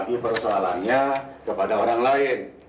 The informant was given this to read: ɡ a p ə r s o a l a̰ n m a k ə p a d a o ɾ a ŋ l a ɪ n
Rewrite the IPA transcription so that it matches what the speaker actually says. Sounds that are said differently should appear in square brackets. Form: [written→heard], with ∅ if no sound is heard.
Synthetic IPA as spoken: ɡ [a→i] p ə r s o a l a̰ n [m→ɲ] a k ə p a d a o ɾ a ŋ l a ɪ n